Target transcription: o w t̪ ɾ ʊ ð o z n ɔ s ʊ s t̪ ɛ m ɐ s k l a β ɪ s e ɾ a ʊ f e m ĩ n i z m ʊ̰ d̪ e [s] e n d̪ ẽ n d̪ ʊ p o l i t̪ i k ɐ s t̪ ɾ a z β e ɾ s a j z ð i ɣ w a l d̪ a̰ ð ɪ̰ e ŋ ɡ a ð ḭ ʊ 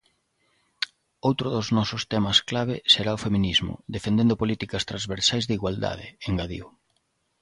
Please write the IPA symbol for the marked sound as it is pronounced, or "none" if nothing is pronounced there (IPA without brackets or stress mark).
f